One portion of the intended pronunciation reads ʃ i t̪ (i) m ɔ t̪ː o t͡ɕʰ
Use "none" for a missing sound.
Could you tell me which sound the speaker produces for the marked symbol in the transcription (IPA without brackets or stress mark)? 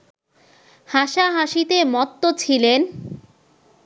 e